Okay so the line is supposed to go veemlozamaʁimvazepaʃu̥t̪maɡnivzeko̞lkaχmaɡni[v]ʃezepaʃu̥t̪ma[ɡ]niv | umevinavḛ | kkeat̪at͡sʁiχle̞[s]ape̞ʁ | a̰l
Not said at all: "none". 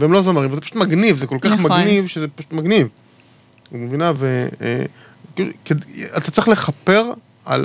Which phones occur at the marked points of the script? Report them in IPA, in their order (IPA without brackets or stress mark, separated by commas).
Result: v, ɡ, χ